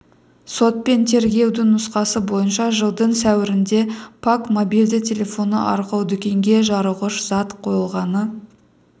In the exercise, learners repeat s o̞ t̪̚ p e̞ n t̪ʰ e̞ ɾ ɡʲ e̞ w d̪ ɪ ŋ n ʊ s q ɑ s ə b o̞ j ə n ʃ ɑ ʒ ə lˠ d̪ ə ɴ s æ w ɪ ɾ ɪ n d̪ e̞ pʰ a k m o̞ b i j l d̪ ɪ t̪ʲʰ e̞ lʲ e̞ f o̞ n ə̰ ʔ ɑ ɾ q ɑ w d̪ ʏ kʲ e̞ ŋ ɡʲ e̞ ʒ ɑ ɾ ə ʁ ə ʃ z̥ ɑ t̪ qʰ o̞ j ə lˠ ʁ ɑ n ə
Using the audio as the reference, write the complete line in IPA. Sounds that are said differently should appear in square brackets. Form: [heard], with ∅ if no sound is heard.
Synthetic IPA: s o̞ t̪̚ p e̞ n t̪ʰ e̞ ɾ ɡʲ e̞ w d̪ ɪ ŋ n ʊ s q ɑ s ə b o̞ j ə n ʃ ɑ ʒ ə lˠ d̪ ə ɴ s æ w ɪ ɾ ɪ n d̪ e̞ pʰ a k m o̞ b i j l d̪ ɪ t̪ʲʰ e̞ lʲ e̞ f o̞ n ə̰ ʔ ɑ ɾ q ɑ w d̪ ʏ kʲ e̞ ŋ ɡʲ e̞ ʒ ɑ ɾ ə ʁ ə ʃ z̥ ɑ t̪ qʰ o̞ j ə lˠ ʁ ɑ n ə